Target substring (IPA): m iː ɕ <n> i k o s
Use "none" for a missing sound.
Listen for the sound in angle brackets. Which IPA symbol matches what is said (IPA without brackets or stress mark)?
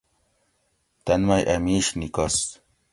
n